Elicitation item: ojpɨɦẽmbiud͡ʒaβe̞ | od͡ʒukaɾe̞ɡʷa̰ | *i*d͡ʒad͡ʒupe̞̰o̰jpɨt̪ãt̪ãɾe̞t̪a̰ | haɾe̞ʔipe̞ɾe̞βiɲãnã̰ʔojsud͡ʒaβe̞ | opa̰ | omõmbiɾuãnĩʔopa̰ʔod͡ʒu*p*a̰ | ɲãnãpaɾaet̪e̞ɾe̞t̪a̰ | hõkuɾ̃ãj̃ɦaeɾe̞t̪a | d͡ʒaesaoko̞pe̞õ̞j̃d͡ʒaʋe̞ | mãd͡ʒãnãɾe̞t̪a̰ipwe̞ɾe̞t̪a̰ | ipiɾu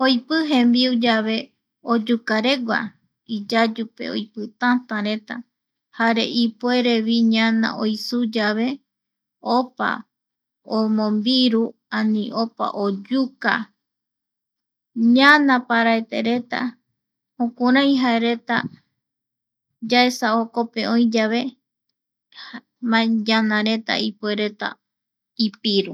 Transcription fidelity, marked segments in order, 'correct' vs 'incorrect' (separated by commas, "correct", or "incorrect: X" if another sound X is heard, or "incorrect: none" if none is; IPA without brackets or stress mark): correct, incorrect: k